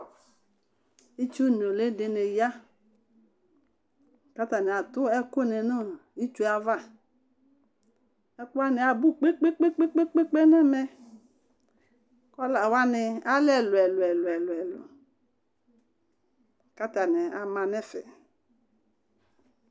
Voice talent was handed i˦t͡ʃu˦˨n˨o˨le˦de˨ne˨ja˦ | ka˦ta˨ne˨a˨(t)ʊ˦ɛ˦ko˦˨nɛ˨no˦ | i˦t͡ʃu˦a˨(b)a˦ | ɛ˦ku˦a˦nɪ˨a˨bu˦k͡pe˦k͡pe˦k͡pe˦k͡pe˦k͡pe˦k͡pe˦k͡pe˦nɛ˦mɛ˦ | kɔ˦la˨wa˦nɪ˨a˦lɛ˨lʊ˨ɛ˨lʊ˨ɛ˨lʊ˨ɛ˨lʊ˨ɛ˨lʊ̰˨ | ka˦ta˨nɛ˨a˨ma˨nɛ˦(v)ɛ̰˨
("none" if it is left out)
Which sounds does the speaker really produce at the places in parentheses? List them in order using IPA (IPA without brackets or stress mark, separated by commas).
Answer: t, v, f